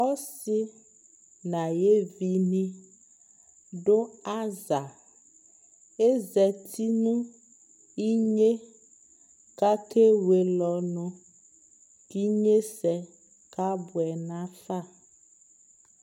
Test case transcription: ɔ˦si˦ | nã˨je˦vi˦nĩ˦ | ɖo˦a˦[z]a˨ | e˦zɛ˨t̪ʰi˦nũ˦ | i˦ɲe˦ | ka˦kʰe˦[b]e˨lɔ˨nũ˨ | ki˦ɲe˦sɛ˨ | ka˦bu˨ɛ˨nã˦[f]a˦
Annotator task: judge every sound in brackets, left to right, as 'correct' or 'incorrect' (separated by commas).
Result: correct, incorrect, correct